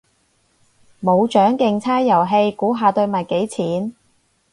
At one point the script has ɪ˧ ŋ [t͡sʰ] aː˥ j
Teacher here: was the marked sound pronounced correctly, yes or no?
yes